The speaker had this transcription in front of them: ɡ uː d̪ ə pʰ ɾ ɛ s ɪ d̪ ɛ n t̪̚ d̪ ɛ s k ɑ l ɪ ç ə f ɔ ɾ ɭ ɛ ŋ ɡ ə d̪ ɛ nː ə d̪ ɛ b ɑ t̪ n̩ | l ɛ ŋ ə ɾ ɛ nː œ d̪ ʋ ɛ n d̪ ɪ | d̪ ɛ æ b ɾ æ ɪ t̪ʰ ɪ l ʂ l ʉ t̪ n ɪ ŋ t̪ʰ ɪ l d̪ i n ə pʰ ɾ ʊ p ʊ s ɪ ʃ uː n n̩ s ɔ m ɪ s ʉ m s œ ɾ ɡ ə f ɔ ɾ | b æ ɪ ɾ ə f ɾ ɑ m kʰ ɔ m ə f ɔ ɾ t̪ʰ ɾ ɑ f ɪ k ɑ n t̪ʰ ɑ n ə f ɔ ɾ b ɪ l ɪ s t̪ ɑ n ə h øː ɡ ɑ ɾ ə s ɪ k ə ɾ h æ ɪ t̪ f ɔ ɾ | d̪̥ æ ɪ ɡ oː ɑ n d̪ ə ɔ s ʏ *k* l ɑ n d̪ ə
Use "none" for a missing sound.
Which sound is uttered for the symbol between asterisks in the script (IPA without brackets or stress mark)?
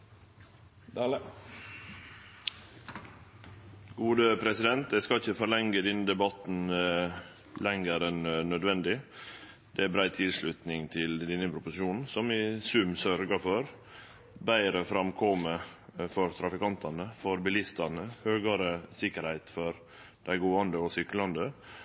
k